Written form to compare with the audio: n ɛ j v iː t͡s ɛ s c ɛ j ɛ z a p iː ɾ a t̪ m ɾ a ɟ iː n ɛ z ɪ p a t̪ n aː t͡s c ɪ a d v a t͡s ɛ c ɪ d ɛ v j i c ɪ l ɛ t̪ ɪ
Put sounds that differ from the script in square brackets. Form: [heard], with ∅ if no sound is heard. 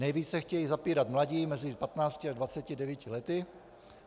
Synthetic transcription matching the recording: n ɛ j v iː t͡s ɛ [x] c ɛ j [i] z a p iː ɾ a t̪ m [l] a ɟ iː [m] ɛ z ɪ p a t̪ n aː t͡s c ɪ a d v a t͡s ɛ c ɪ d ɛ v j i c ɪ l ɛ t̪ ɪ